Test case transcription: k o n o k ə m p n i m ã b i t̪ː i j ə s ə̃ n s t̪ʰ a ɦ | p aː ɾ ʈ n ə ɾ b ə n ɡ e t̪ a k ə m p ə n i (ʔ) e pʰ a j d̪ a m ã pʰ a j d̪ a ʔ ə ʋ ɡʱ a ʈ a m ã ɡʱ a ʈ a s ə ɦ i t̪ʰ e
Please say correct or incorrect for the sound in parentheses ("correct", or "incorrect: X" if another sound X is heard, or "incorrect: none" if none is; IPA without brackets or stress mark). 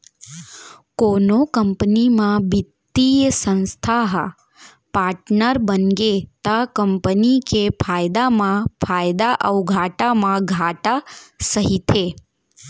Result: incorrect: k